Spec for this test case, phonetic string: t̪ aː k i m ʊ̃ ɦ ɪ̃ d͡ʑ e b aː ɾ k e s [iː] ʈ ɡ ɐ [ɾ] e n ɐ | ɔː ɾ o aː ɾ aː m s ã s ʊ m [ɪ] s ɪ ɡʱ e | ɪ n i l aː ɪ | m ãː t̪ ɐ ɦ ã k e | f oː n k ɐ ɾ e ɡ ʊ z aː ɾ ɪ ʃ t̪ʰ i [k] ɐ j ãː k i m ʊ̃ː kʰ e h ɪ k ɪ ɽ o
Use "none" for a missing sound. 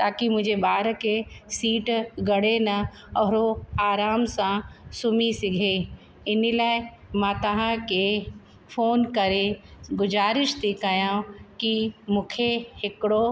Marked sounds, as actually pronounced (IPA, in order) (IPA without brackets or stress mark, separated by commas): iː, ɽ, i, k